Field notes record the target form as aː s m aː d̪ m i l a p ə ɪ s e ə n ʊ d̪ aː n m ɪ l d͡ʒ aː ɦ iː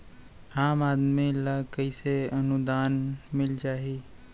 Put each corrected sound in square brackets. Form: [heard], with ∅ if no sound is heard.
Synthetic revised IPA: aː [∅] m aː d̪ m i l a [k] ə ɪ s e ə n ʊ d̪ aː n m ɪ l d͡ʒ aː ɦ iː